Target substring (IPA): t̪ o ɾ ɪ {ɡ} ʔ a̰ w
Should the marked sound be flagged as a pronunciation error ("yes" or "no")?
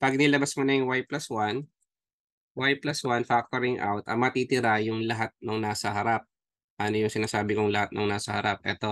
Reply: yes